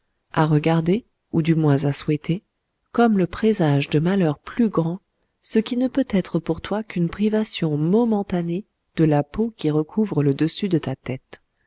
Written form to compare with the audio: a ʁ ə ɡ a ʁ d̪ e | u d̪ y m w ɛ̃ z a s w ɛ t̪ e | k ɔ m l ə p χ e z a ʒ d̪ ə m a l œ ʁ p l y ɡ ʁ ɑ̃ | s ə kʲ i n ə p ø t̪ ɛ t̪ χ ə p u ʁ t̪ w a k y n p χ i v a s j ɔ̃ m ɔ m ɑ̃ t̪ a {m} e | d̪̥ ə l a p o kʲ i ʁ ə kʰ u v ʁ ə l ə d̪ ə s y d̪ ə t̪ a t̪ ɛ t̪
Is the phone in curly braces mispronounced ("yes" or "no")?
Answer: yes